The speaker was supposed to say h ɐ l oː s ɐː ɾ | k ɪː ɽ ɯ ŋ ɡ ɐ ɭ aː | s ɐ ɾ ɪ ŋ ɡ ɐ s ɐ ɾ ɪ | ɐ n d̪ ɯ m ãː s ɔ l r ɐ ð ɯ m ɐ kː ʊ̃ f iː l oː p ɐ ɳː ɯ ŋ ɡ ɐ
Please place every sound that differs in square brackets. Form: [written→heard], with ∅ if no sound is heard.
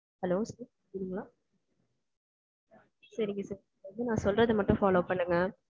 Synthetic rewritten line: h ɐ l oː s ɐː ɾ | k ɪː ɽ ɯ ŋ ɡ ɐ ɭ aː | s ɐ ɾ ɪ ŋ ɡ ɐ s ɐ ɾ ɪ | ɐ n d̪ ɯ [m→n] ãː s ɔ l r ɐ ð ɯ m ɐ [kː→ʈː] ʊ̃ f [iː→aː] l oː p ɐ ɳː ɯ ŋ ɡ ɐ